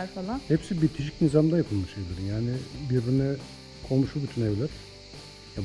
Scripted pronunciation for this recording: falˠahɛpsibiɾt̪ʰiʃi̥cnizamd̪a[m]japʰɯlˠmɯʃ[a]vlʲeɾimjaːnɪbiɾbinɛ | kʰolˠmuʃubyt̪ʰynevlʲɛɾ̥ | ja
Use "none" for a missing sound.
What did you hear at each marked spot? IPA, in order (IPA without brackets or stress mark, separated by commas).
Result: none, e